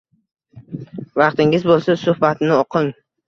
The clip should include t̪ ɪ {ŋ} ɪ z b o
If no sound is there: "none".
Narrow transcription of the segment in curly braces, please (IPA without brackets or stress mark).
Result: ŋ